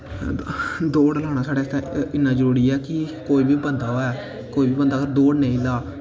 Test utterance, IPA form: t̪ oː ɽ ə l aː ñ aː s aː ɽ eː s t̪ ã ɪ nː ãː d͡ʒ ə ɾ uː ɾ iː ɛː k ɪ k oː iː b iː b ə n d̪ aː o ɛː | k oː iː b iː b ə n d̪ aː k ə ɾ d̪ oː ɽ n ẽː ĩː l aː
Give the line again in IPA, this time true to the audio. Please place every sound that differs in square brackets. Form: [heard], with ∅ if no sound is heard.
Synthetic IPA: [d̪] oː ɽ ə l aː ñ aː s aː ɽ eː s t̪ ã ɪ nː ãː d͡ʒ ə ɾ uː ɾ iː ɛː k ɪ k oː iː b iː b ə n d̪ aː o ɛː | k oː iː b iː b ə n d̪ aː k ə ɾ d̪ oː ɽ n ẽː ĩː l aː